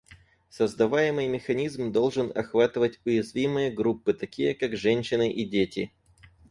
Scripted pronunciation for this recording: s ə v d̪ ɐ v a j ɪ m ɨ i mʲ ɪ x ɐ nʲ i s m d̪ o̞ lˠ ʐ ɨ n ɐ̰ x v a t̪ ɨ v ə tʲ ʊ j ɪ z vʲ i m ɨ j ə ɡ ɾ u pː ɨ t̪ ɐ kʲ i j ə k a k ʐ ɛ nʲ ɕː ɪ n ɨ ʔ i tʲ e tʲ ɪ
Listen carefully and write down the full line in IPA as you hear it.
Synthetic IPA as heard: s ə z d̪ ɐ v a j ɪ m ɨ j mʲ ɪ x ɐ nʲ i z m d̪ o̞ lˠ ʐ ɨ n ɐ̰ x v a t̪ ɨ v ə tʲ ʊ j ɪ z vʲ i m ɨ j ə ɡ ɾ u pː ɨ t̪ ɐ kʲ i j ə k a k ʐ ɛ nʲ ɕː ɪ n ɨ ʔ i dʲ e tʲ ɪ